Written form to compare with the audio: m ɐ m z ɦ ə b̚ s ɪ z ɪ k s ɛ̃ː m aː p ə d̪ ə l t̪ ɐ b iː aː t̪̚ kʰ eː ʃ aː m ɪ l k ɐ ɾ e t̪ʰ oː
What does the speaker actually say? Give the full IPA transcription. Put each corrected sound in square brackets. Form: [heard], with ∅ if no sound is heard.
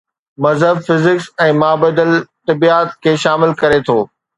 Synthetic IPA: m ɐ [∅] z ɦ ə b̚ [f] ɪ z ɪ k s ɛ̃ː m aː [b] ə d̪ ə l t̪ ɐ b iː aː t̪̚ kʰ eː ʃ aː m ɪ l k ɐ ɾ e t̪ʰ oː

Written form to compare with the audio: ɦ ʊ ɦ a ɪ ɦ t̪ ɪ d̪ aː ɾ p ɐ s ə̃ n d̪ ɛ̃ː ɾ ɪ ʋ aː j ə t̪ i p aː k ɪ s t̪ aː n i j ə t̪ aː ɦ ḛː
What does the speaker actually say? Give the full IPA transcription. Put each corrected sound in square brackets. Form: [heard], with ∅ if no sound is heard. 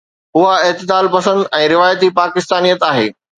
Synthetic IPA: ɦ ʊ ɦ a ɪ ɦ t̪ ɪ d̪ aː [l] p ɐ s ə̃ n d̪ ɛ̃ː ɾ ɪ ʋ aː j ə t̪ i p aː k ɪ s t̪ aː n i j ə t̪ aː ɦ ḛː

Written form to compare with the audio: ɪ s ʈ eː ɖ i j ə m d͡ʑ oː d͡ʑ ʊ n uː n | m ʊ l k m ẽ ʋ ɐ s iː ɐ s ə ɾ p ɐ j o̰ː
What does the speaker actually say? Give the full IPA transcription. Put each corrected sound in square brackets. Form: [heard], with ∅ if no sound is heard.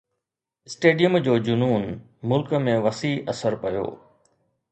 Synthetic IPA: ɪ s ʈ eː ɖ i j ə m d͡ʑ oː d͡ʑ ʊ n uː n | m ʊ l k m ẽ ʋ ɐ s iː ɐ s ə ɾ p ɐ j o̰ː

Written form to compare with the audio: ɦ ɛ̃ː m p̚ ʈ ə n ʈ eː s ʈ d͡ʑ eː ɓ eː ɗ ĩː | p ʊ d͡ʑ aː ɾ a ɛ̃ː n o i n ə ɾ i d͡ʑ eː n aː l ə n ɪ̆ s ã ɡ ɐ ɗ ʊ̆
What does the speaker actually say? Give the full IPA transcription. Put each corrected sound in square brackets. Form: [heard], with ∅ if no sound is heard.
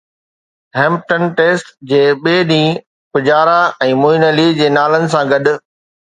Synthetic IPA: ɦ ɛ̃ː m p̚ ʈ ə n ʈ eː s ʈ d͡ʑ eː ɓ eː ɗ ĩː | p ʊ d͡ʑ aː ɾ a ɛ̃ː [m] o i n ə [l] i d͡ʑ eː n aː l ə n ɪ̆ s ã ɡ ɐ ɗ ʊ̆

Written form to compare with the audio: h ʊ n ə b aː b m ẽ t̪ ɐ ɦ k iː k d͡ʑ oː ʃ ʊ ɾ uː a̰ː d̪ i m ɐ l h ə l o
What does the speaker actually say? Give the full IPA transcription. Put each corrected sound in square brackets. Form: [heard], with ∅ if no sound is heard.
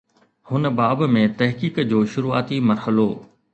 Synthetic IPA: h ʊ n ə b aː b m ẽ t̪ ɐ ɦ k iː k d͡ʑ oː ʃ ʊ ɾ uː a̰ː [t̪] i m ɐ [ɾ] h ə l o

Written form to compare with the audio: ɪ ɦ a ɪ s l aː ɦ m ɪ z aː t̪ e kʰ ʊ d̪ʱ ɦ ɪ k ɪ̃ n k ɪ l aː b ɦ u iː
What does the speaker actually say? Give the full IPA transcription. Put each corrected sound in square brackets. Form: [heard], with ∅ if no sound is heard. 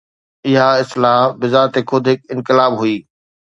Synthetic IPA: ɪ ɦ a ɪ s l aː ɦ [b] ɪ z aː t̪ e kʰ ʊ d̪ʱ ɦ ɪ k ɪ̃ n k ɪ l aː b ɦ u iː

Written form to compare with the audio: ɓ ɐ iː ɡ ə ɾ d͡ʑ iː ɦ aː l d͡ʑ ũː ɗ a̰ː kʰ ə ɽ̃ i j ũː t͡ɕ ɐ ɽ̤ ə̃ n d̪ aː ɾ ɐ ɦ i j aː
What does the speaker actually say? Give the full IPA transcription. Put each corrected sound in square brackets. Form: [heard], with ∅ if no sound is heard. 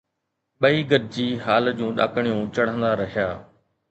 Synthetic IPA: ɓ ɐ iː ɡ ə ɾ d͡ʑ iː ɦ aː l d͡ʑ ũː ɗ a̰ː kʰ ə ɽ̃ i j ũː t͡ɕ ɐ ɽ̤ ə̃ n d̪ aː ɾ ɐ ɦ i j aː

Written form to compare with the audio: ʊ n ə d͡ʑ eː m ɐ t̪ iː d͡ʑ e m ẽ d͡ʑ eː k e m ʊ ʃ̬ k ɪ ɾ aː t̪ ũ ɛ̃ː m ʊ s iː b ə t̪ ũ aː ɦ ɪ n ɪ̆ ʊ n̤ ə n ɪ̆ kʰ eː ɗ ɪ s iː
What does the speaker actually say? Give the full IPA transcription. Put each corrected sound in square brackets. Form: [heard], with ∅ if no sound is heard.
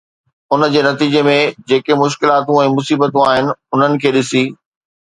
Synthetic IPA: ʊ n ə d͡ʑ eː [n] ɐ t̪ iː d͡ʑ e m ẽ d͡ʑ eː k e m ʊ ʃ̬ k ɪ [l] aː t̪ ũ ɛ̃ː m ʊ s iː b ə t̪ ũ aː ɦ ɪ n ɪ̆ ʊ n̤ ə n ɪ̆ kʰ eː ɗ ɪ s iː

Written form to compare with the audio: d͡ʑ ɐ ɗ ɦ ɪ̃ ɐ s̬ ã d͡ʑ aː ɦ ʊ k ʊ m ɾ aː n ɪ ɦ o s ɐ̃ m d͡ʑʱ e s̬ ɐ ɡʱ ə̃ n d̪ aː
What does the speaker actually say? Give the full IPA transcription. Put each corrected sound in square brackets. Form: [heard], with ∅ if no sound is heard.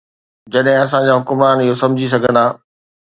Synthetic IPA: d͡ʑ ɐ ɗ ɦ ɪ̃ ɐ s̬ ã d͡ʑ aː ɦ ʊ k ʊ m ɾ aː n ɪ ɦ o s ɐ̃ m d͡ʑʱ [i] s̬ ɐ ɡʱ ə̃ n d̪ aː

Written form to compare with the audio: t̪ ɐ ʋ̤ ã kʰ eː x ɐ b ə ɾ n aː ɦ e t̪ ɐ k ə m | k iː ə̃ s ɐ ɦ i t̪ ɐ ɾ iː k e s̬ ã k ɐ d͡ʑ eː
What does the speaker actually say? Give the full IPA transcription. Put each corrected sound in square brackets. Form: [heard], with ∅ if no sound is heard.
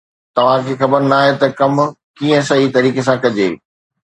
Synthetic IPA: t̪ ɐ ʋ̤ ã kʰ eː x ɐ b ə ɾ n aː ɦ e t̪ ɐ k [ɐ] m | k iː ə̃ s ɐ ɦ i t̪ ɐ ɾ iː k e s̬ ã k ɐ d͡ʑ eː

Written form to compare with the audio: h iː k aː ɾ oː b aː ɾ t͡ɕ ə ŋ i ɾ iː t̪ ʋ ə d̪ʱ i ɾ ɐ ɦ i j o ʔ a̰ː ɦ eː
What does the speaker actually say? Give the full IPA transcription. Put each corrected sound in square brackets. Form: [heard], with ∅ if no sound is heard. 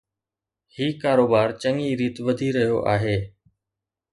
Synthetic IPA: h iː k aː ɾ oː b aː ɾ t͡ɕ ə ŋ i ɾ iː t̪ ʋ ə d̪ʱ i ɾ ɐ ɦ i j o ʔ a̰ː ɦ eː

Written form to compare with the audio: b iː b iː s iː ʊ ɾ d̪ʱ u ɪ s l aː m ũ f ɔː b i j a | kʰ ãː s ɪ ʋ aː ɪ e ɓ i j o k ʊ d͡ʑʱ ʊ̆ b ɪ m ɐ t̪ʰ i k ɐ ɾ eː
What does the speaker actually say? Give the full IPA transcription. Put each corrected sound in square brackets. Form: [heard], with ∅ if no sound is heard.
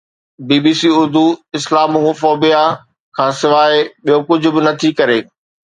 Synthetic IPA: b iː b iː s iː ʊ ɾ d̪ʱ u ɪ s l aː m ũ f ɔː b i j a | kʰ ãː s ɪ ʋ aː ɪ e ɓ i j o k ʊ d͡ʑʱ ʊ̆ b ɪ [n] ɐ t̪ʰ i k ɐ ɾ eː

